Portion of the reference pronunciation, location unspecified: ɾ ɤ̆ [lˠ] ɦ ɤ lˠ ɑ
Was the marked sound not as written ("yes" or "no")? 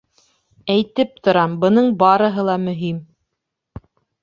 yes